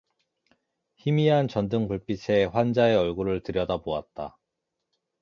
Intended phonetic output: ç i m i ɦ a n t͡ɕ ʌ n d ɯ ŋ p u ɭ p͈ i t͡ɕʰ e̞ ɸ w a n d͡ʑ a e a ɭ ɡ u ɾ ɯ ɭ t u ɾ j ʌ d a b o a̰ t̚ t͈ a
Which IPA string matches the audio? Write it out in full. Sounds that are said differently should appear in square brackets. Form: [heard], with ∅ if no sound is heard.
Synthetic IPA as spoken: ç i m i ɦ a n t͡ɕ ʌ n d ɯ ŋ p u ɭ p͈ i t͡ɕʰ e̞ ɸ w a n d͡ʑ a e [ʌ] ɭ ɡ u ɾ ɯ ɭ t [ɯ] ɾ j ʌ d a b o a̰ t̚ t͈ a